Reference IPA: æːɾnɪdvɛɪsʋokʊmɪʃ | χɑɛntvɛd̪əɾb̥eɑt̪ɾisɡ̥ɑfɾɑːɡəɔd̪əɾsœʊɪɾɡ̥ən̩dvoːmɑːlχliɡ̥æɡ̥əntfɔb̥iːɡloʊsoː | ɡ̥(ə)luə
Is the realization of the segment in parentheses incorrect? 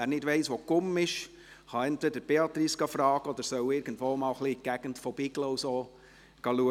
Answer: yes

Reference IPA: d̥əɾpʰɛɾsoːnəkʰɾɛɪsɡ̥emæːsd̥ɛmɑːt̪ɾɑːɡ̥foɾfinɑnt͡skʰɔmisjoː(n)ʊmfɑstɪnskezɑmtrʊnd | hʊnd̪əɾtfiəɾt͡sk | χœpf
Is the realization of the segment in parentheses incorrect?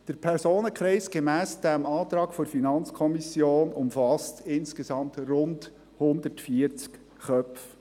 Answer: no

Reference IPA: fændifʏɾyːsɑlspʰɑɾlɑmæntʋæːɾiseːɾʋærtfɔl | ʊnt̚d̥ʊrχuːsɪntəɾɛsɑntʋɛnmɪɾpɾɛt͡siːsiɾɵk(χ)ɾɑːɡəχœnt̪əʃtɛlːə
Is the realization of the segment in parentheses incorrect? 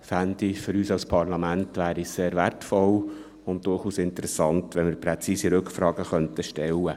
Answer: yes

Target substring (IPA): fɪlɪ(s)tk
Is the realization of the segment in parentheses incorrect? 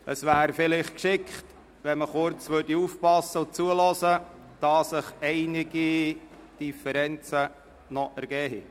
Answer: yes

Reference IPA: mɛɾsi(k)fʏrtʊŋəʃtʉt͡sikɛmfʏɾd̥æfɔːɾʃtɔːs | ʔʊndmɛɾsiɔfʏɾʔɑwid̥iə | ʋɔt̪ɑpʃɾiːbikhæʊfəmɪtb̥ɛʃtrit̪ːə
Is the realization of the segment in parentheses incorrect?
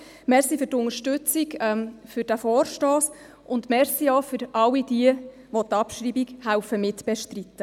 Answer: yes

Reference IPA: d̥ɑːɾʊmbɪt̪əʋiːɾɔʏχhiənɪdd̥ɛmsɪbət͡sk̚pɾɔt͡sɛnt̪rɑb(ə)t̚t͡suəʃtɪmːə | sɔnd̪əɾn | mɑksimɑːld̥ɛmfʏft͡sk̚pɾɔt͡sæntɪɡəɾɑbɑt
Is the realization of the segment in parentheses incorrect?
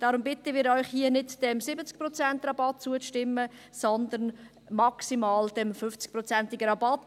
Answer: yes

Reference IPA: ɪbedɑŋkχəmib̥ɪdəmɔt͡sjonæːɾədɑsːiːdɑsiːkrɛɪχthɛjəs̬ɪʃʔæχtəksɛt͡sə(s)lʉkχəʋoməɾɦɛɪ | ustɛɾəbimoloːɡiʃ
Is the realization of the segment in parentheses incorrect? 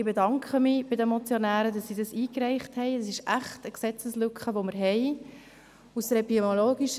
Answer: no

